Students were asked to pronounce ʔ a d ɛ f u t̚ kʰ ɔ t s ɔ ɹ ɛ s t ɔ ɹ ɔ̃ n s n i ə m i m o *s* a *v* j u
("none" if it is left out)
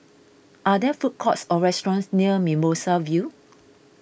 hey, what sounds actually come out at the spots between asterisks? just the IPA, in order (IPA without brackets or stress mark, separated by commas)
s, v